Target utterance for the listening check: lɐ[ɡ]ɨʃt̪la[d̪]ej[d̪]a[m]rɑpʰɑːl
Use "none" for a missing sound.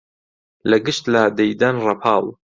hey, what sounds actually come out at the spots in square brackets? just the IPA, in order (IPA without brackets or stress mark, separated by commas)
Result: ɡ, d̪, d̪, n